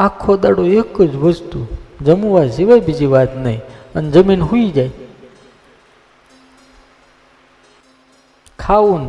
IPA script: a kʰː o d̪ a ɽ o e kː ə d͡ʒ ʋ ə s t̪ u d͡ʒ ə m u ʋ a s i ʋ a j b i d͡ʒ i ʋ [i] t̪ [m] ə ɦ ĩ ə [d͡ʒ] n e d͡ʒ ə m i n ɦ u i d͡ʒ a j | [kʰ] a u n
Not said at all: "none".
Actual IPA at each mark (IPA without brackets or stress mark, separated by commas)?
a, n, none, kʰ